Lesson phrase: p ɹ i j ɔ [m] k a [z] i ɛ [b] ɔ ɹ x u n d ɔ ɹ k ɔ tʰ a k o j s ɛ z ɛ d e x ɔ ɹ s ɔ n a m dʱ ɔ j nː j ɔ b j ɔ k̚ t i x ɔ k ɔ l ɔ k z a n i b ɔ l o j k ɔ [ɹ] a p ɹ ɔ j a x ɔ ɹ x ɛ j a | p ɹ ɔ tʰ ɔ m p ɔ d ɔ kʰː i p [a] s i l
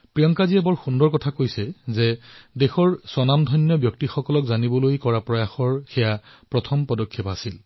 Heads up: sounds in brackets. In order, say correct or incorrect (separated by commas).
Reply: incorrect, correct, correct, correct, correct